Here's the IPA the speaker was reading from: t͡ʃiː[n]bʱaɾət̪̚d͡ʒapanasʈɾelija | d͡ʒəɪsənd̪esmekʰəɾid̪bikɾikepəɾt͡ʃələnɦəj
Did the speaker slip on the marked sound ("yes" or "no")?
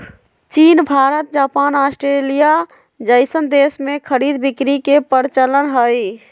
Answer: no